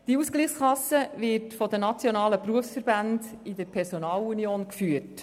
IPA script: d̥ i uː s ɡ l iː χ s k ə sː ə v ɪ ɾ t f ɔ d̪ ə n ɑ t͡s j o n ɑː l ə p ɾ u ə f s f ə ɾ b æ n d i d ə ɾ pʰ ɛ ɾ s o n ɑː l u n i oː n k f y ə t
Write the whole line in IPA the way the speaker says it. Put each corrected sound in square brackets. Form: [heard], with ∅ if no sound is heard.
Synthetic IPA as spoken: d̥ i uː s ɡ l iː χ s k [ɑ] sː ə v ɪ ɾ t f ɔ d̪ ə n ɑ t͡s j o n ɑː l ə p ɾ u ə f s f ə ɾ b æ n d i d ə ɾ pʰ ɛ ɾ s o n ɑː l u n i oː n k f y ə t